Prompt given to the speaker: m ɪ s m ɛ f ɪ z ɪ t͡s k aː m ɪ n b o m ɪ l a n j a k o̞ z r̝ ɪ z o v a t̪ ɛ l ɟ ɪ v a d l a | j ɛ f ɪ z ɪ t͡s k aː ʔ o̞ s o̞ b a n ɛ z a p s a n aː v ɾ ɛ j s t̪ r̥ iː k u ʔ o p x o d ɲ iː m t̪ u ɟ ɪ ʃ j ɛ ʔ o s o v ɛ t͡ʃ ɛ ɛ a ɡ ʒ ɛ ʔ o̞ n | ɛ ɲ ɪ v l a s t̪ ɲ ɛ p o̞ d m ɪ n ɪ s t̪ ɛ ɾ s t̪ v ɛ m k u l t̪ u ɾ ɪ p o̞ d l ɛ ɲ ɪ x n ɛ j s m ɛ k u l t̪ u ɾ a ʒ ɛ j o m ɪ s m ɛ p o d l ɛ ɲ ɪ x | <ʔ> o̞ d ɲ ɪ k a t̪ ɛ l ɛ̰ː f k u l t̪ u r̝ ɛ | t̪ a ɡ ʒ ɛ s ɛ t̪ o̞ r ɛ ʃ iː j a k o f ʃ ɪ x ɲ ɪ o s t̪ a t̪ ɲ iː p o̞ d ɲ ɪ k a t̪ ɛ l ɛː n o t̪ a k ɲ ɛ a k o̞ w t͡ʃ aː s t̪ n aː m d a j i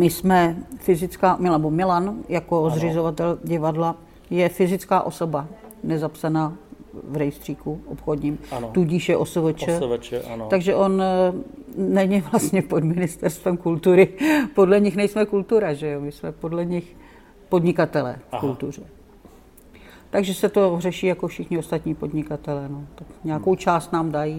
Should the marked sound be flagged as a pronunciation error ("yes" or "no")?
yes